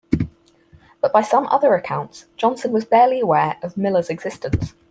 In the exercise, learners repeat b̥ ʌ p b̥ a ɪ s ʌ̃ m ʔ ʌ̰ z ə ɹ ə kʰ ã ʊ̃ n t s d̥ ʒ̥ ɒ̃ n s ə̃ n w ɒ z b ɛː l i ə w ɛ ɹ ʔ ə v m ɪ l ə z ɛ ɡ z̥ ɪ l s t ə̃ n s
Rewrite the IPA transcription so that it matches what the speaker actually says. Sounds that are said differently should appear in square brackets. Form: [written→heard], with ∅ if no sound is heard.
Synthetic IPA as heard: b̥ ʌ [p→ʔ] b̥ a ɪ s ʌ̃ m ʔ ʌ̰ [z→ð] ə ɹ ə kʰ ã ʊ̃ n t s d̥ ʒ̥ ɒ̃ n s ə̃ n w ɒ z b ɛː l i ə w [ɛ→ɛː] ɹ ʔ ə v m ɪ l ə z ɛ ɡ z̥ ɪ [l→∅] s t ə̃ n s